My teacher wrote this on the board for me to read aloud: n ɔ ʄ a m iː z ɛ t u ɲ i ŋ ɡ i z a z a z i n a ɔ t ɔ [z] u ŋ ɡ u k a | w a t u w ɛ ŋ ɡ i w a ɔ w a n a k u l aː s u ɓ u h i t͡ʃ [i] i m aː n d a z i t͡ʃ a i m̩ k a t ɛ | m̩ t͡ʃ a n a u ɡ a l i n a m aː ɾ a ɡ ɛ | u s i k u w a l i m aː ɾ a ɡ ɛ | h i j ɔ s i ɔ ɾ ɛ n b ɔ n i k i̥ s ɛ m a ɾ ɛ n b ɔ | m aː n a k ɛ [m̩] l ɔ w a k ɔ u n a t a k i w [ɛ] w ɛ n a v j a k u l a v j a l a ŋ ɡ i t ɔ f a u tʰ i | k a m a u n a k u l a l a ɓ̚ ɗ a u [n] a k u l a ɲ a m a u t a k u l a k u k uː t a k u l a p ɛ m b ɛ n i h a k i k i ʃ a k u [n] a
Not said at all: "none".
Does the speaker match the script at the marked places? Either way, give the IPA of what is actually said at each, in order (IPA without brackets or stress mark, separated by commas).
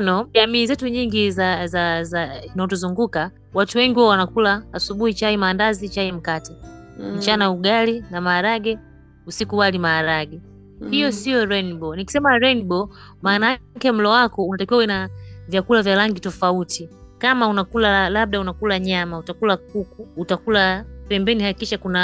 z, a, m̩, a, n, n